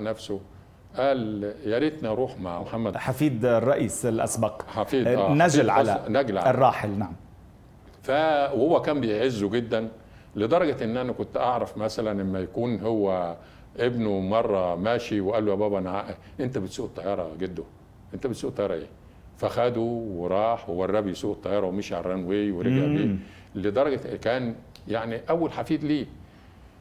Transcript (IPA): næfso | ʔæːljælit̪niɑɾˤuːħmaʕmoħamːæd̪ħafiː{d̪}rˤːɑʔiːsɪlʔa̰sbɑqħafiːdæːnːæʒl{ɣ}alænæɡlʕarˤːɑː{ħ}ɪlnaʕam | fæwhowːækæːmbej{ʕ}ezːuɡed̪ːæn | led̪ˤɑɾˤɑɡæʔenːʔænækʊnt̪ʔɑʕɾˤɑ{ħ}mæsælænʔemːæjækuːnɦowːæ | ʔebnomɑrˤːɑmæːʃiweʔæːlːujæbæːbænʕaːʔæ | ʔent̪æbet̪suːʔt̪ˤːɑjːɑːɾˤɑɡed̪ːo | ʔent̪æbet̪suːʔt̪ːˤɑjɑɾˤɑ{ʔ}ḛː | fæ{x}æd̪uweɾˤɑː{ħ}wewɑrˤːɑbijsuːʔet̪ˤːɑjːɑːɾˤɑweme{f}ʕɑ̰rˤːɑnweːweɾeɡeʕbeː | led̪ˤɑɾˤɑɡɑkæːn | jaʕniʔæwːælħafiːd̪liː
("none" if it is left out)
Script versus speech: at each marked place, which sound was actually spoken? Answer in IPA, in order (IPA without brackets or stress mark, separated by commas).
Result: d̪, ʕ, ħ, ʕ, f, ʔ, x, ħ, ʃ